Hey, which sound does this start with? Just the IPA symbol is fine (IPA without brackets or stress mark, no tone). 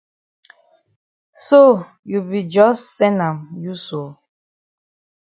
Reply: s